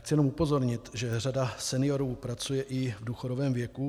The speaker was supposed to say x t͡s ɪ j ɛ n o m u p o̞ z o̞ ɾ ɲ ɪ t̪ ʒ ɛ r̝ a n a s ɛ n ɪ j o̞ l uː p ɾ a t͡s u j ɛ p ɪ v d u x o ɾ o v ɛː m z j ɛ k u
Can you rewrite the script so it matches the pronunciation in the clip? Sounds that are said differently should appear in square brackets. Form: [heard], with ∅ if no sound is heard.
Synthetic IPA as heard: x t͡s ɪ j ɛ n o m u p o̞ z o̞ ɾ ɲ ɪ t̪ ʒ ɛ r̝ a [d] a s ɛ n ɪ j o̞ [ɾ] uː p ɾ a t͡s u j ɛ [ʔ] ɪ v d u x o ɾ o v ɛː m [v] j ɛ k u